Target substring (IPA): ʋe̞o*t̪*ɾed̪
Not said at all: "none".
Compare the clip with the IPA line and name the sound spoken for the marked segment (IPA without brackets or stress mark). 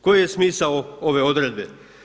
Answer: d̪